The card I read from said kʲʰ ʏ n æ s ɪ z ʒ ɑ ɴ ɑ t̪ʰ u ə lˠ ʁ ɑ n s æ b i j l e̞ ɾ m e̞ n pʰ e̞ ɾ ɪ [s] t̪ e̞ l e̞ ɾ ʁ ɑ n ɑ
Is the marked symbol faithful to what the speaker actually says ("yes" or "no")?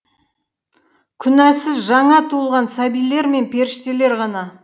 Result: no